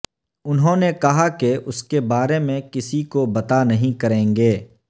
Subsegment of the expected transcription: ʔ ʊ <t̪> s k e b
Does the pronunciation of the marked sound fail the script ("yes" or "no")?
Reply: yes